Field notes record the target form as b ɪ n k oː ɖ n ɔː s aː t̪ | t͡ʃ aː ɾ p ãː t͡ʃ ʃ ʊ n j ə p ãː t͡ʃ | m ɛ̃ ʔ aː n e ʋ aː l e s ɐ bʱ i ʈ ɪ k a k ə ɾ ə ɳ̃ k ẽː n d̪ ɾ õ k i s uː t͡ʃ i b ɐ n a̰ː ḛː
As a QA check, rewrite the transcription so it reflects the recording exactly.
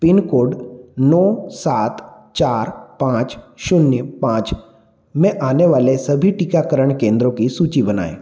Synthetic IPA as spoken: p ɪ n k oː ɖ n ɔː s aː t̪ | t͡ʃ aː ɾ p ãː t͡ʃ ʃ ʊ n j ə p ãː t͡ʃ | m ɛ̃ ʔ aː n e ʋ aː l e s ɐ bʱ i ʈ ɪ k a k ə ɾ ə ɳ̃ k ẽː n d̪ ɾ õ k i s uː t͡ʃ i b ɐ n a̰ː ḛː